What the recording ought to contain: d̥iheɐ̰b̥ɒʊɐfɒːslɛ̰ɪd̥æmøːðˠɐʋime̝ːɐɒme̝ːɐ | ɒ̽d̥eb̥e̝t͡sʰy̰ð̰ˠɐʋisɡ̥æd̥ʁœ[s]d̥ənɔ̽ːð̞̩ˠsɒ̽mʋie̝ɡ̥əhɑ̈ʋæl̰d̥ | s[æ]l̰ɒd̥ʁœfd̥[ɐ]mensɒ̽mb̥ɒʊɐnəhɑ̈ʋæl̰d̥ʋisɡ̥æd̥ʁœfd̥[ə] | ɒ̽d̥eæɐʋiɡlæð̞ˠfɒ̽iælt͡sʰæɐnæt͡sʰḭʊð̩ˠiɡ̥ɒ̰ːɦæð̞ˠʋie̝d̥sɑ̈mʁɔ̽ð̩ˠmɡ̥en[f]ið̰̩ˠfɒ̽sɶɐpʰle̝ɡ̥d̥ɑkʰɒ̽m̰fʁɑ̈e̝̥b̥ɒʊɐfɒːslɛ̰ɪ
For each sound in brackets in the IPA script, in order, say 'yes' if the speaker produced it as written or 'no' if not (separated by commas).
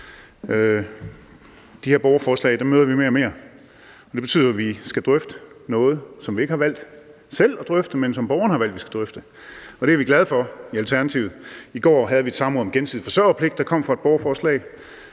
no, no, no, yes, no